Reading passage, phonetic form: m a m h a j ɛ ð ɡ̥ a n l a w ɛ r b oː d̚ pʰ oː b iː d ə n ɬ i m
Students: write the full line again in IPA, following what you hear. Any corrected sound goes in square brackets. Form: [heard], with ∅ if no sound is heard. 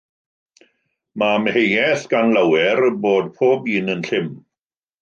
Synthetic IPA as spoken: m a m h [e] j ɛ [θ] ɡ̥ a n l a w ɛ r b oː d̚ pʰ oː b iː [n] ə n ɬ [ɪ] m